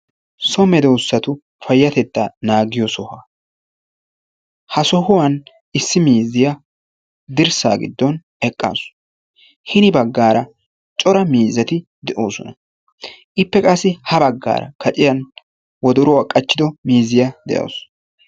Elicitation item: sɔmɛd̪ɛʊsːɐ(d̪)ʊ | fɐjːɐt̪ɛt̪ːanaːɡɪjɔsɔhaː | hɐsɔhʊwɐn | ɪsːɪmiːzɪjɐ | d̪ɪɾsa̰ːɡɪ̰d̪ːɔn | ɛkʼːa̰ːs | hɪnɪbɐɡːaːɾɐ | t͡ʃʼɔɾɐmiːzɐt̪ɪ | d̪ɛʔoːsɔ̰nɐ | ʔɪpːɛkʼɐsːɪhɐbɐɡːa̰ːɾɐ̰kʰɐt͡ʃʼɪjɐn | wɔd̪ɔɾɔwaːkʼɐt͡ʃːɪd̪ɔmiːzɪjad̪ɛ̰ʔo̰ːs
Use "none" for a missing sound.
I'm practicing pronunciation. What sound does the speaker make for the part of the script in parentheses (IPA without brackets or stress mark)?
t̪